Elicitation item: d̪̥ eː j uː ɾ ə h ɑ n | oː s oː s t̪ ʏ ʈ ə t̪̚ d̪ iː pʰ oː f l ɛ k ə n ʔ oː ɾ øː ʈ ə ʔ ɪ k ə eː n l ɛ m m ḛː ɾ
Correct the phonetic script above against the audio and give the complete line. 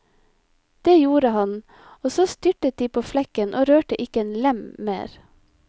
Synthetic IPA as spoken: d̪̥ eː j uː ɾ ə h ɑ n | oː s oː s t̪ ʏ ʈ ə t̪̚ d̪ iː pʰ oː f l ɛ k ə n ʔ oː ɾ øː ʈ ə ʔ ɪ k ə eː n l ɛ m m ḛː ɾ